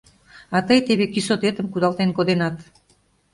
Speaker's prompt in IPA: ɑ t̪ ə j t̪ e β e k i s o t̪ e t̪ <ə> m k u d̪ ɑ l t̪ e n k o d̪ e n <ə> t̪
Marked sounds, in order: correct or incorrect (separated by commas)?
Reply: correct, incorrect